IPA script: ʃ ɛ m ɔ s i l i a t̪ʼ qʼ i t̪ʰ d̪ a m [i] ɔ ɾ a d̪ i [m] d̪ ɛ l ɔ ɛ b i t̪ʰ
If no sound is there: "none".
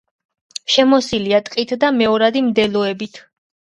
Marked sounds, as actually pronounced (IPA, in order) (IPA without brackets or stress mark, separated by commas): ɛ, m